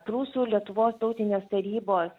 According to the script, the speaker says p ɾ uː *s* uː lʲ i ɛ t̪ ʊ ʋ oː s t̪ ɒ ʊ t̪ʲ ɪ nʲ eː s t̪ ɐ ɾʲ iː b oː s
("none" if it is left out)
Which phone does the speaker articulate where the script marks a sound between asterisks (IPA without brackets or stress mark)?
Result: s